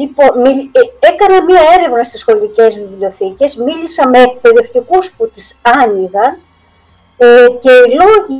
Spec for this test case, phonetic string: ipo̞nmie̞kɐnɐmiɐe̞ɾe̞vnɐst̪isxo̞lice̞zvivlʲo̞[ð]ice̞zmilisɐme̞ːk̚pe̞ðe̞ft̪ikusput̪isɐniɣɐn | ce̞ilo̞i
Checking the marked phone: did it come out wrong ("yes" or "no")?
yes